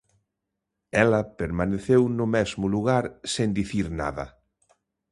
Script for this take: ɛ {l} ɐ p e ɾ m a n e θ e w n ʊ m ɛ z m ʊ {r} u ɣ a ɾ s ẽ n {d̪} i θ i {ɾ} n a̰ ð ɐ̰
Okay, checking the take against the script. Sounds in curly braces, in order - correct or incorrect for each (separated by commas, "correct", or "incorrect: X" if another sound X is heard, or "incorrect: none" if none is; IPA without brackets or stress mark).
correct, incorrect: l, correct, correct